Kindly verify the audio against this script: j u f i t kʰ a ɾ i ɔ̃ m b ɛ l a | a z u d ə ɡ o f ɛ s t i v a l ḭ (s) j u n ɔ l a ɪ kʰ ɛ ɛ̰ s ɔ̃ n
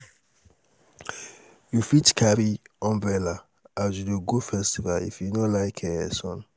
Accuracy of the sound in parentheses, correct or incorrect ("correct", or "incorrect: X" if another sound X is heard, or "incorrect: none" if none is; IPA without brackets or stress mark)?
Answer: incorrect: f